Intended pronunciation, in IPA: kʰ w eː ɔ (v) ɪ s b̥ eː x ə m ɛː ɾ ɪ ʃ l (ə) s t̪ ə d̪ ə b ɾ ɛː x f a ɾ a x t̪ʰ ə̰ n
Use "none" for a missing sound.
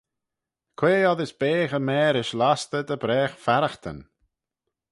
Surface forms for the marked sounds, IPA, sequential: ð, a

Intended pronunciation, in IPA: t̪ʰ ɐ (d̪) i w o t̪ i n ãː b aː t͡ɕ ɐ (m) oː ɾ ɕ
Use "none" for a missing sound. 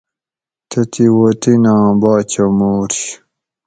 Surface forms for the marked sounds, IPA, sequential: t̪, m

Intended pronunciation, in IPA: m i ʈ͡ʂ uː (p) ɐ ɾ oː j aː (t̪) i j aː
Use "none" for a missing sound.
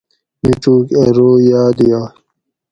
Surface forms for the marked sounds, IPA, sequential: k, d̪

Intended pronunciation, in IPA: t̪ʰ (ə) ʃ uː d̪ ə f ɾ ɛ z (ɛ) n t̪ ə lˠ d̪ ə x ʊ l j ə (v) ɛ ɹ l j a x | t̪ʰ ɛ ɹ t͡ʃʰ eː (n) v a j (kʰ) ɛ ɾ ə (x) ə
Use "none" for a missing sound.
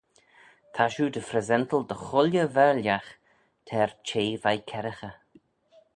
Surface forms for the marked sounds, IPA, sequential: a, ɛ, v, none, kʰ, x

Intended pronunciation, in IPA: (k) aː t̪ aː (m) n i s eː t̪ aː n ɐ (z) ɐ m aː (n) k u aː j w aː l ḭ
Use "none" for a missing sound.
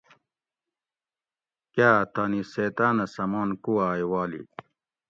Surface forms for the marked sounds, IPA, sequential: k, none, s, n

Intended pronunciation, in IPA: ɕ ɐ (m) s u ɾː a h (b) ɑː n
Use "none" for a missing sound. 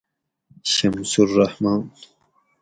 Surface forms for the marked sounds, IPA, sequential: m, m

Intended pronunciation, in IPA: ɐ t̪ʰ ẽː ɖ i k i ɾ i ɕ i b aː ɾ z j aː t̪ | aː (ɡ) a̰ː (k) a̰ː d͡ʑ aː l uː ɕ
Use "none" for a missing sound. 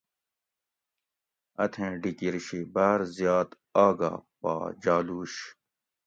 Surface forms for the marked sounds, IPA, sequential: ɡ, p

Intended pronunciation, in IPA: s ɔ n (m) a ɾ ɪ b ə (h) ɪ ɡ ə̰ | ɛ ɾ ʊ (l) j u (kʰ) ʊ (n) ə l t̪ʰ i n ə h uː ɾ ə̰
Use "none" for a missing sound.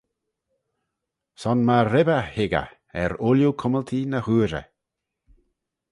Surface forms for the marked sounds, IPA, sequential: m, h, l, kʰ, m

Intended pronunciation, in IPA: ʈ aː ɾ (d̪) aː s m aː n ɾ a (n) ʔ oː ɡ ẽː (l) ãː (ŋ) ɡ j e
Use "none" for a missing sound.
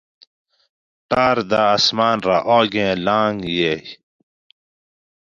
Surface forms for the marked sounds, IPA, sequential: d̪, none, l, ŋ

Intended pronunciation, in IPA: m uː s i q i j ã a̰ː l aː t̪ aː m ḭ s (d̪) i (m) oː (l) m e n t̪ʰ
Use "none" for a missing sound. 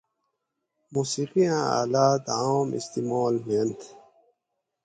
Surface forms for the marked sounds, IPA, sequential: t̪, m, l

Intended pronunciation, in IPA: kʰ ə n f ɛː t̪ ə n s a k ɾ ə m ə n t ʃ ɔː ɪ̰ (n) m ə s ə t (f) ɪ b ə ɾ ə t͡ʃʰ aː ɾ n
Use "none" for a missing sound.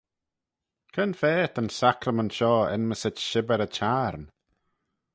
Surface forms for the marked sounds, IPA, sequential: n, ʃ

